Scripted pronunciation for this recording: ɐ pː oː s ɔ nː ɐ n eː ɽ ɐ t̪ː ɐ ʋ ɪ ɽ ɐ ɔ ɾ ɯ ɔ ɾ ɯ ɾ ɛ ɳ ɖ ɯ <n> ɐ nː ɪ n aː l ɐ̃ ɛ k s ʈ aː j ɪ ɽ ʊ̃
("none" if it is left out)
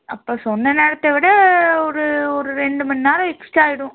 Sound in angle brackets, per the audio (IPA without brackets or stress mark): m